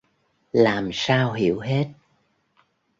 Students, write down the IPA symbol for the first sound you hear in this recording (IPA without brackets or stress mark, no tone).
l